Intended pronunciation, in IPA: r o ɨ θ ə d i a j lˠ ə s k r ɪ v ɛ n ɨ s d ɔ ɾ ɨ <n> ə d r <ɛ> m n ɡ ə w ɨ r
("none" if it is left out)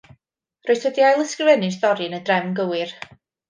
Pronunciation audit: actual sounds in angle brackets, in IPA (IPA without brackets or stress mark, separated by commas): n, ɛ